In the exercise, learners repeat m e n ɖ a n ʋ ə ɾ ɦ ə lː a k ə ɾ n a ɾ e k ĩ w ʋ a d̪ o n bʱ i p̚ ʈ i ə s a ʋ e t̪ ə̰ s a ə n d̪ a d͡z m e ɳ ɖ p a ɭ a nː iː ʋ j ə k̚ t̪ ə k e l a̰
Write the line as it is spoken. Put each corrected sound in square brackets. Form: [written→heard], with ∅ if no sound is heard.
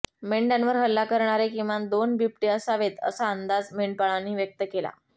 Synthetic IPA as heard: m e [n→ɳ] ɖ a n ʋ ə ɾ ɦ ə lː a k ə ɾ [n→ɳ] a ɾ e k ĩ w ʋ a d̪ o n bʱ i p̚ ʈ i ə s a ʋ e t̪ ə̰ s a ə n d̪ a d͡z m e ɳ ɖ p a ɭ a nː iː ʋ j ə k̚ t̪ ə k e l a̰